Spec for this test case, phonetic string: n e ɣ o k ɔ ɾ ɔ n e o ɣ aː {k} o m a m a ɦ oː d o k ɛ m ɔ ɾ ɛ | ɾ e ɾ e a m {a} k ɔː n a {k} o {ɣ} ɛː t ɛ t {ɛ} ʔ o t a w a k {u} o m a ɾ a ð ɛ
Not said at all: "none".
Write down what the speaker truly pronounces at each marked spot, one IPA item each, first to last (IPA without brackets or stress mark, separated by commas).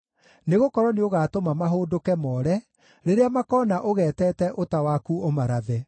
t, a, ʔ, ɣ, ɛ, u